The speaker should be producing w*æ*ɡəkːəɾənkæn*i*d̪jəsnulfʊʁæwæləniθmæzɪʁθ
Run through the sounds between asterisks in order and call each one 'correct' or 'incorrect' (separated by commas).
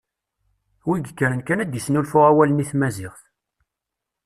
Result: incorrect, incorrect